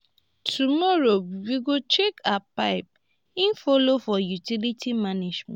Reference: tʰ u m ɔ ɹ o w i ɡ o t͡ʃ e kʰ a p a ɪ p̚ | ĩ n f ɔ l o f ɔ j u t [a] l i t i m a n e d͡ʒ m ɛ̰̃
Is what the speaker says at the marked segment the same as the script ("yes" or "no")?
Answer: no